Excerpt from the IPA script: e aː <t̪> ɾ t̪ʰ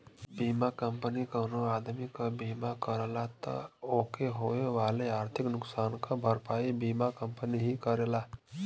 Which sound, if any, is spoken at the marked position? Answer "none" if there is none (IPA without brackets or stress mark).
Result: none